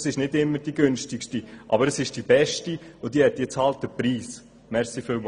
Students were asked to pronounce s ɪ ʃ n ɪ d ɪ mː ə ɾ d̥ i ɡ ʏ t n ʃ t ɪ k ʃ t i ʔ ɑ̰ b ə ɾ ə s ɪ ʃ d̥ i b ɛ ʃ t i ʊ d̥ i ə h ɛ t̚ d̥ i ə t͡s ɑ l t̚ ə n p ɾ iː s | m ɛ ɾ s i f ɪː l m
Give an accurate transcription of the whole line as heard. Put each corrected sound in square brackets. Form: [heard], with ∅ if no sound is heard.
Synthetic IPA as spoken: s ɪ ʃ n ɪ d ɪ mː ə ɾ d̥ i ɡ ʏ [∅] n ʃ t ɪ k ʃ t i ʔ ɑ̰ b ə ɾ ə s ɪ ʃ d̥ i b ɛ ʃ t i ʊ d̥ i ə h ɛ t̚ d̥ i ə t͡s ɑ l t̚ ə [∅] p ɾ iː s | m ɛ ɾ s i f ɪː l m